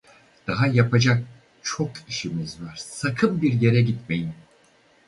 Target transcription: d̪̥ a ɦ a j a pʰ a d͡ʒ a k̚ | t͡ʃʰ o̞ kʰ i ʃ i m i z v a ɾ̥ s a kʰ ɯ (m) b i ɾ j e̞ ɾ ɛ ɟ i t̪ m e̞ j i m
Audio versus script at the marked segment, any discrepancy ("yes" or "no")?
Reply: no